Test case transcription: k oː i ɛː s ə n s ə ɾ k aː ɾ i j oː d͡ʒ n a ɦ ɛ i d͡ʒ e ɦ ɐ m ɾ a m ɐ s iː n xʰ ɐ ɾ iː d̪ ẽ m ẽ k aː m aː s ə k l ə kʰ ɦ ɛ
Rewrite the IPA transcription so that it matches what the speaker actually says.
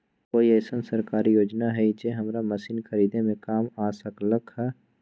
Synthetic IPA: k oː i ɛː s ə n s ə ɾ k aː ɾ i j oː d͡ʒ n a ɦ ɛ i d͡ʒ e ɦ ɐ m ɾ a m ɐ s iː n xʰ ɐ ɾ iː d̪ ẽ m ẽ k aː m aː s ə k l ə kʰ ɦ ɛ